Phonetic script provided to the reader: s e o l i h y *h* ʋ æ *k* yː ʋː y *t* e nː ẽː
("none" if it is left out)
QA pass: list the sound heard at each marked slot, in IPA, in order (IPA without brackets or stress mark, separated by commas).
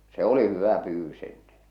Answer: none, p, s